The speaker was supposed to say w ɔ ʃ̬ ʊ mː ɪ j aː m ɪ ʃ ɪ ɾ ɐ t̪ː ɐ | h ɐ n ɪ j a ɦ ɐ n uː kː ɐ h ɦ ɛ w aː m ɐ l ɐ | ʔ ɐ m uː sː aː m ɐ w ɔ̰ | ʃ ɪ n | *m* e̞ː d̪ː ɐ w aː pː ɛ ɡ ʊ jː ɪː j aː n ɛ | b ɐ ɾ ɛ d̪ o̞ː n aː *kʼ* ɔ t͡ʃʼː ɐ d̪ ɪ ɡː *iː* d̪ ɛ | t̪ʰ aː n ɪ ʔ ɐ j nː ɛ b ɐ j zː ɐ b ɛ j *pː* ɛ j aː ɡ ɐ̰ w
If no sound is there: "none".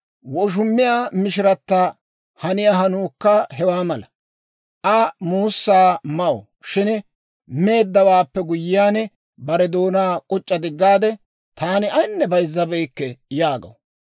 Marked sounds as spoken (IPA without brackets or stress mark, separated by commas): m, kʼ, aː, kː